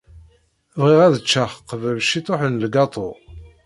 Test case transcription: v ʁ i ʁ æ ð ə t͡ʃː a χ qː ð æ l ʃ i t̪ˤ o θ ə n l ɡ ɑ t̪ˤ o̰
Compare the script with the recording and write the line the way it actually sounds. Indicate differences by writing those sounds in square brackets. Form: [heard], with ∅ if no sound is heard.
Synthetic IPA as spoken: v ʁ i ʁ æ ð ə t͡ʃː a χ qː [v] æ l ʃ i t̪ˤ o [ħ] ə n l ɡ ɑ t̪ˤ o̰